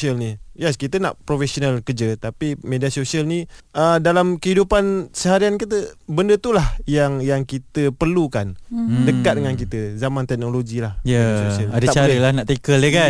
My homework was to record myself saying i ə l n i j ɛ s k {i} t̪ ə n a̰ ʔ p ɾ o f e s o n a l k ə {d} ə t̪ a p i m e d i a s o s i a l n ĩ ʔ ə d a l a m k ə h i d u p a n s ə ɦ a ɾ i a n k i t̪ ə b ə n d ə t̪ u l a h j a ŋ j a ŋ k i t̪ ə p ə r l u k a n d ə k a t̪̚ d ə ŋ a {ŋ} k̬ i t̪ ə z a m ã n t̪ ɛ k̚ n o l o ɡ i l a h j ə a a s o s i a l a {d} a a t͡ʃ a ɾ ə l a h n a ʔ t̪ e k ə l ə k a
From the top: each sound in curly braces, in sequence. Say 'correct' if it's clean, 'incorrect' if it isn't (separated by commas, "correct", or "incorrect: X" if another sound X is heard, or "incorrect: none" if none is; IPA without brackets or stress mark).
correct, incorrect: d͡ʒ, incorrect: n, correct